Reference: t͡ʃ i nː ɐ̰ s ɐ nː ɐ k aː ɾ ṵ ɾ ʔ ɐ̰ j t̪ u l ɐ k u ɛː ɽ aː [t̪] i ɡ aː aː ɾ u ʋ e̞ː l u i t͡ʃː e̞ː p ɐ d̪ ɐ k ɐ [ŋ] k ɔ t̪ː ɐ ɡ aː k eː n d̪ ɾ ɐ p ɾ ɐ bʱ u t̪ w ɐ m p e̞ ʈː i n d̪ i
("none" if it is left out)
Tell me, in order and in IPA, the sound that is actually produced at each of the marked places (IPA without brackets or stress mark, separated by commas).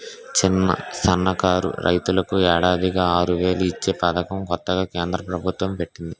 d̪, m